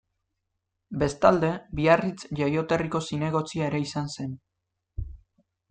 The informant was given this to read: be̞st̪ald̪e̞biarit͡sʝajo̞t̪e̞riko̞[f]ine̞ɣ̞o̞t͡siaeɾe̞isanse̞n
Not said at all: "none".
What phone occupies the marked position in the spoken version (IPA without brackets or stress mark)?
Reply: s